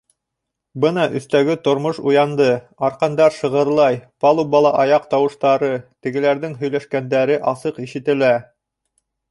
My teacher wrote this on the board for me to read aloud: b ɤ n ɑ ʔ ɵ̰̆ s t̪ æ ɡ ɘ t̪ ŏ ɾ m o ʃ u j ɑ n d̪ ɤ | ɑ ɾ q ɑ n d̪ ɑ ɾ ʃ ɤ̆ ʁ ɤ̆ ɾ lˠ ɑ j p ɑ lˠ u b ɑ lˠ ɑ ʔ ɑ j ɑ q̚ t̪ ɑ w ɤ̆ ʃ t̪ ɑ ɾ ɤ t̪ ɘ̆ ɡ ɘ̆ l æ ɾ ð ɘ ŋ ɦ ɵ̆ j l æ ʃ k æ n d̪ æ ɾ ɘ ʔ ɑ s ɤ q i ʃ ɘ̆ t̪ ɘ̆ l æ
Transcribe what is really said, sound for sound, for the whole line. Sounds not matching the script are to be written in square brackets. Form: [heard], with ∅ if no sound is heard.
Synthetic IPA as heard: b ɤ n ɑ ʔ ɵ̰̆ [θ] t̪ æ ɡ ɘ t̪ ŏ ɾ m o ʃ u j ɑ n d̪ ɤ | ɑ ɾ q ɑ n d̪ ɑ ɾ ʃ ɤ̆ ʁ ɤ̆ ɾ lˠ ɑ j p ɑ lˠ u b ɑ lˠ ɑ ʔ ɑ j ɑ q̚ t̪ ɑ w ɤ̆ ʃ t̪ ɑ ɾ ɤ t̪ ɘ̆ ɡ ɘ̆ l æ ɾ ð ɘ ŋ ɦ ɵ̆ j l æ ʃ k æ n d̪ æ ɾ ɘ ʔ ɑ s ɤ q i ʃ ɘ̆ t̪ ɘ̆ l æ